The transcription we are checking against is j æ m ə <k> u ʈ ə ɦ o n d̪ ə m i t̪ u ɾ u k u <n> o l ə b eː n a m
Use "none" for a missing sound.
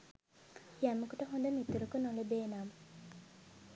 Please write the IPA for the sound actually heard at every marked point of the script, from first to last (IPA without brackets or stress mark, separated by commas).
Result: k, n